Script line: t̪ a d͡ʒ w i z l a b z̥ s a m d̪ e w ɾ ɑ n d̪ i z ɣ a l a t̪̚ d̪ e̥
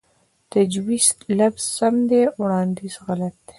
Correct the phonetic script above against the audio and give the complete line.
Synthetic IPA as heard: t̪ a d͡ʒ w i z l a b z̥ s a m d̪ e w ɽ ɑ n d̪ i z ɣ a l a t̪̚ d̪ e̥